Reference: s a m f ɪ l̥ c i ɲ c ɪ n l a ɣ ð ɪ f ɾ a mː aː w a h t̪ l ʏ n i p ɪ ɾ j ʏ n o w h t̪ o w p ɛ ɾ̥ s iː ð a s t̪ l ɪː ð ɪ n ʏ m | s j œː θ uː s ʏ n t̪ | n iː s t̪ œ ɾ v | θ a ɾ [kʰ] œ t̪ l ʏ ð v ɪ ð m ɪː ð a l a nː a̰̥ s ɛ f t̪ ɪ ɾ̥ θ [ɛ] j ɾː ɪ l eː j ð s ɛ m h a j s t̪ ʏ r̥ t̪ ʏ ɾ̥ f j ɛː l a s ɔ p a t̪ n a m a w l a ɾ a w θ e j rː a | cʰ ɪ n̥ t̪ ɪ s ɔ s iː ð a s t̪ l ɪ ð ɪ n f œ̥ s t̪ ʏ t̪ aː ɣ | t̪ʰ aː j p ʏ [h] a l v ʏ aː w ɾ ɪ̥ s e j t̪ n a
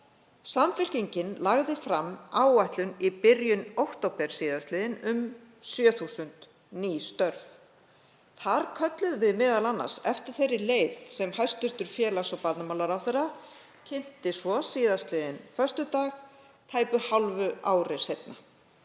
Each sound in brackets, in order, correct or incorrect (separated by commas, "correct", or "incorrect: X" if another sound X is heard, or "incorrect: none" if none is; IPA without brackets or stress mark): correct, incorrect: e, correct